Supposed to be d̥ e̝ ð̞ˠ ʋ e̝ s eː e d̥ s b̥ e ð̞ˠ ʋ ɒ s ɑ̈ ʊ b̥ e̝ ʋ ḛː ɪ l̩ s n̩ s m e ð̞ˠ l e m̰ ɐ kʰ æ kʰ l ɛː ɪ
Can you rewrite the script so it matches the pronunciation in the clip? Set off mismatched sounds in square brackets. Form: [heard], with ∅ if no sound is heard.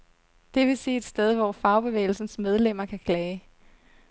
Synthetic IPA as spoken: d̥ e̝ [∅] ʋ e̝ s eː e d̥ s [d̥] e ð̞ˠ ʋ ɒ [f] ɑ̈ ʊ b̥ e̝ ʋ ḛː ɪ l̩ s n̩ s m e ð̞ˠ l e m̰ ɐ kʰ æ kʰ l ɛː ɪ